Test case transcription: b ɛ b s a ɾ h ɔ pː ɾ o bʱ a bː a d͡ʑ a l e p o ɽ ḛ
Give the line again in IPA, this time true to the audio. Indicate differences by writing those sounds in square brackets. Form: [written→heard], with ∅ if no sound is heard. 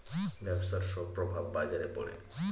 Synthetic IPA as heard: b ɛ b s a ɾ [h→ʃ] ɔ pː ɾ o bʱ a bː a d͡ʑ a [l→ɾ] e p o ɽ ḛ